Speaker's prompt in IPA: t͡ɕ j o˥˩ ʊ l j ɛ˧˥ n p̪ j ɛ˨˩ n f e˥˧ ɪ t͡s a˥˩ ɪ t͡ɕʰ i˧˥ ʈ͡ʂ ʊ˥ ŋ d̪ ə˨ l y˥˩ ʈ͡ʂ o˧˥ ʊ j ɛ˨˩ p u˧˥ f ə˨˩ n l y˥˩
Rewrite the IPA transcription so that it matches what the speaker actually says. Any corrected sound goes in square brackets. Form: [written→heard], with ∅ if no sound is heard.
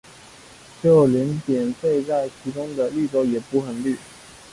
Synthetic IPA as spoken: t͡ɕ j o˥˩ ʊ l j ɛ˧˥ n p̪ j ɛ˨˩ n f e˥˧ ɪ t͡s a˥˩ ɪ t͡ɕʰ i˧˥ ʈ͡ʂ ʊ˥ ŋ d̪ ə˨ l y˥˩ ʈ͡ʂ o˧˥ ʊ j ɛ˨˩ p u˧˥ [f→x] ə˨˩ n l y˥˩